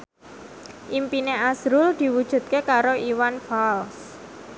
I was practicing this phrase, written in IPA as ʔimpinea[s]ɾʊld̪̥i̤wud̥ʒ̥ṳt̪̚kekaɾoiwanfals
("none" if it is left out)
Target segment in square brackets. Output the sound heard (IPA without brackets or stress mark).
s